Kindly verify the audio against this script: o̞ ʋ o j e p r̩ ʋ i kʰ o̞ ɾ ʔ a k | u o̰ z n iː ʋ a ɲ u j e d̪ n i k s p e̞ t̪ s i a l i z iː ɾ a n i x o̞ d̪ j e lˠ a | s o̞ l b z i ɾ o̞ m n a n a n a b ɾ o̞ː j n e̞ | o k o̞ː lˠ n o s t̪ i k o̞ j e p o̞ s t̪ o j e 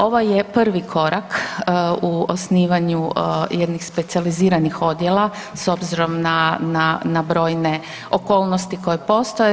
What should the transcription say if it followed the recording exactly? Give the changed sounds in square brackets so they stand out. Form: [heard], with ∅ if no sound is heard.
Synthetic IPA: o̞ ʋ o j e p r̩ ʋ i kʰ o̞ ɾ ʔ a k | u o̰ [s] n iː ʋ a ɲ u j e d̪ n i [x] s p e̞ t̪ s i a l i z iː ɾ a n i x o̞ d̪ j e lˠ a | s o̞ [∅] b z i ɾ o̞ m n a n a n a b ɾ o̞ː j n e̞ | o k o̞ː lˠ n o s t̪ i k o̞ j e p o̞ s t̪ o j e